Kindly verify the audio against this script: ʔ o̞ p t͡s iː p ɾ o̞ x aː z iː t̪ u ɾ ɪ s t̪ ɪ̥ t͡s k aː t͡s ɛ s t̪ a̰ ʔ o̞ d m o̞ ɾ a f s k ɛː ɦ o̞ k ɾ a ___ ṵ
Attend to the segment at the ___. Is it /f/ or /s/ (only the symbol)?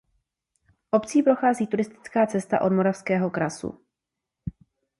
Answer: s